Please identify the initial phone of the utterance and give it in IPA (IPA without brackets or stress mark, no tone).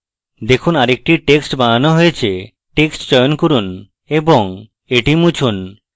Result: d̪